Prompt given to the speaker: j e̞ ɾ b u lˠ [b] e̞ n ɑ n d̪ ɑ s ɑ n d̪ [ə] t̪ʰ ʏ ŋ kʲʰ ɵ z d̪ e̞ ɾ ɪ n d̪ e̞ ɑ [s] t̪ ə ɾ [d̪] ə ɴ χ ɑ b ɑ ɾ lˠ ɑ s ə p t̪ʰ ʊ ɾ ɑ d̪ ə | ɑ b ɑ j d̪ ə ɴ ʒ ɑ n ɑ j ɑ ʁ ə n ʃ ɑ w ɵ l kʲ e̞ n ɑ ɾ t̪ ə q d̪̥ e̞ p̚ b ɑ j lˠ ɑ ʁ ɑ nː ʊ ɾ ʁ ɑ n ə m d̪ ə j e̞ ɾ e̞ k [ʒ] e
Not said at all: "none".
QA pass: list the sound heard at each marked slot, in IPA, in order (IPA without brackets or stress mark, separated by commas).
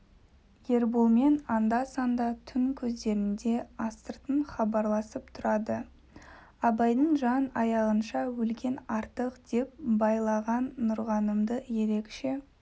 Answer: m, ɑ, s, t̪, ʃ